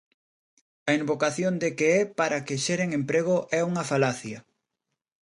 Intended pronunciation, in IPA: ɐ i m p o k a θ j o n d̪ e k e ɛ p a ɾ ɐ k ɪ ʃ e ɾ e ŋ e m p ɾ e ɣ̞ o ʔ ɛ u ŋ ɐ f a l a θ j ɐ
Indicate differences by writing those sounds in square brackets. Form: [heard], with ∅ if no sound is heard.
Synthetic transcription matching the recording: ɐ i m [b] o k a θ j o n d̪ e k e ɛ p a ɾ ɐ k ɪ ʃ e ɾ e ŋ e m p ɾ e ɣ̞ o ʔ ɛ u ŋ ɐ f a l a θ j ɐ